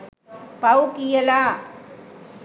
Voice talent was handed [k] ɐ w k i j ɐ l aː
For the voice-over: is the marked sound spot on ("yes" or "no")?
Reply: no